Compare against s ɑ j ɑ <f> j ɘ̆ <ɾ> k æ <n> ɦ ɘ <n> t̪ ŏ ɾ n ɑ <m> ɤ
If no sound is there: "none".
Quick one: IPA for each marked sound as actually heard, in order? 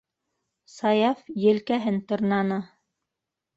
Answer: f, l, none, n, n

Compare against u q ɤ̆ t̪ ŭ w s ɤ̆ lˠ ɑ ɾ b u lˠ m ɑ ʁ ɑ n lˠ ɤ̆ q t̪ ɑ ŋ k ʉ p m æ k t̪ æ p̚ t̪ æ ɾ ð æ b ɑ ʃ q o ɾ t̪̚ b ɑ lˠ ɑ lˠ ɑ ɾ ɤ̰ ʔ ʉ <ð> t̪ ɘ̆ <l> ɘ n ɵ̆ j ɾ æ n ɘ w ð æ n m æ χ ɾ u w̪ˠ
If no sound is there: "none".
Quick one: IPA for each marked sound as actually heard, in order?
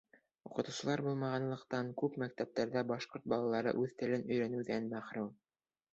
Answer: ð, l

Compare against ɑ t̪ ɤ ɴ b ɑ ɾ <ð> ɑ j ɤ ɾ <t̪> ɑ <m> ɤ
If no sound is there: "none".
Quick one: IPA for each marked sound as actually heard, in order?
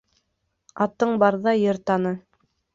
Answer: ð, t̪, n

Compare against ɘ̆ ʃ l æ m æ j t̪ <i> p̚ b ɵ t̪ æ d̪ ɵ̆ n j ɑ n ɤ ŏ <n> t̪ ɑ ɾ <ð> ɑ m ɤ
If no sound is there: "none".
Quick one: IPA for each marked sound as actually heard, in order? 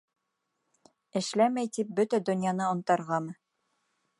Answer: i, n, ʁ

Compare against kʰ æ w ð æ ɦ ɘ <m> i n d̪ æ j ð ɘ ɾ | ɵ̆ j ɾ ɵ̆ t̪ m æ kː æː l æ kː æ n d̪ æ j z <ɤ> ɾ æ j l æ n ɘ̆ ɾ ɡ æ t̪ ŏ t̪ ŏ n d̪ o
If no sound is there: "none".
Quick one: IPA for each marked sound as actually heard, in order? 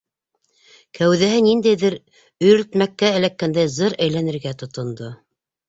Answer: n, ɤ

